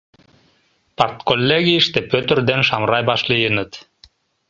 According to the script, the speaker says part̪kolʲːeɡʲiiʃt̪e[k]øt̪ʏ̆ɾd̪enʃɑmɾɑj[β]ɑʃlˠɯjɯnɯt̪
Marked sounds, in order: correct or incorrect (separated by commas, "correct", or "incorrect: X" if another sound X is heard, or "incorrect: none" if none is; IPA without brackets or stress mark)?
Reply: incorrect: p, incorrect: b